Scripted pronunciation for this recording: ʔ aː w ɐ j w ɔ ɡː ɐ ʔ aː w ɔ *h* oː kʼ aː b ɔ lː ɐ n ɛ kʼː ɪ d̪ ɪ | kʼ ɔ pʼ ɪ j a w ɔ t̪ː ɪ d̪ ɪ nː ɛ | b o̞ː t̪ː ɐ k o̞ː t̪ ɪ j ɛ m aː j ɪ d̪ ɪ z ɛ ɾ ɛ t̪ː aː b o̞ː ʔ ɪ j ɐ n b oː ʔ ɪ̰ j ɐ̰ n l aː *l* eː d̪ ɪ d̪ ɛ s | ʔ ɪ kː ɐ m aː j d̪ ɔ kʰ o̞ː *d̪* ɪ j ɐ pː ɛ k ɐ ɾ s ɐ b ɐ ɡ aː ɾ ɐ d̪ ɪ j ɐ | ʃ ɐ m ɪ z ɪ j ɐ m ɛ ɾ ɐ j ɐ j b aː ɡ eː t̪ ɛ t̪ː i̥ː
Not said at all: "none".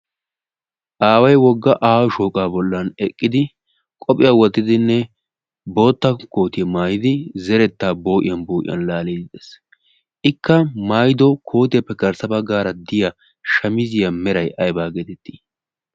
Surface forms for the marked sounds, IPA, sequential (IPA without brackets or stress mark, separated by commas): ʃ, l, t̪